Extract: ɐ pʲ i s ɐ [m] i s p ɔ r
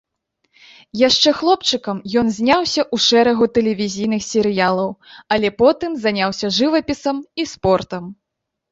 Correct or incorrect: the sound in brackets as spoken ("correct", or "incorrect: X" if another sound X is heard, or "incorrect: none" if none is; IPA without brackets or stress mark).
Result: correct